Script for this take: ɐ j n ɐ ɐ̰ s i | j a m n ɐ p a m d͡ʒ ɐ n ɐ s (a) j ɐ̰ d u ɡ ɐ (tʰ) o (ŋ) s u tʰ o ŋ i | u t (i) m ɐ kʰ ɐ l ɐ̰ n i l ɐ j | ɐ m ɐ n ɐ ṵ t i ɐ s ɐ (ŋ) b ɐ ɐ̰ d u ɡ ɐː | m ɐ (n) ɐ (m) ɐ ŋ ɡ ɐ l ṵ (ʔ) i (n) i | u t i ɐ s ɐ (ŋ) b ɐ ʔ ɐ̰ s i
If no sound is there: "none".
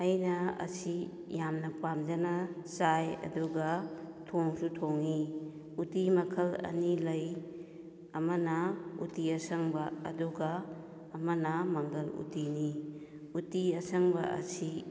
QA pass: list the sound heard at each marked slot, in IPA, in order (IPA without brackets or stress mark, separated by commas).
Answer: a, tʰ, ŋ, i, ŋ, n, m, t, n, ŋ